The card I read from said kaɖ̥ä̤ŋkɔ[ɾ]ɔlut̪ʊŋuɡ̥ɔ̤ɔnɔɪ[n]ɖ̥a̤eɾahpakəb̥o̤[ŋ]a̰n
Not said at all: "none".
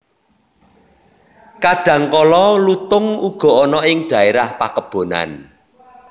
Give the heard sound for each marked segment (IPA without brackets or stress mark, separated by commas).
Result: l, ŋ, n